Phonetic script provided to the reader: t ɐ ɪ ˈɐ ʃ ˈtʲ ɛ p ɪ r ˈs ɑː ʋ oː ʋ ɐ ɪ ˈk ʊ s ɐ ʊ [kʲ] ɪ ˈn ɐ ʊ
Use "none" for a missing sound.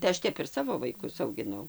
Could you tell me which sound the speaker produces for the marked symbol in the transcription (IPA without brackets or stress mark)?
ɡʲ